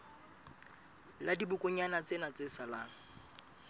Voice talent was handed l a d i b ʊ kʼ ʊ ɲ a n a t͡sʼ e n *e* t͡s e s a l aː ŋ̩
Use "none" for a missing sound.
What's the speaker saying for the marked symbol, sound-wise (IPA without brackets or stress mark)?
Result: a